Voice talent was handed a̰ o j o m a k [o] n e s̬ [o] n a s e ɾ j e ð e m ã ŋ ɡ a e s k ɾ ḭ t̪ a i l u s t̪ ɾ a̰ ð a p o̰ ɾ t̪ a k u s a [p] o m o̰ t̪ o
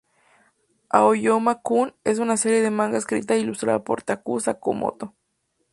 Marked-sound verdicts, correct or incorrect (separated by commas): incorrect, incorrect, incorrect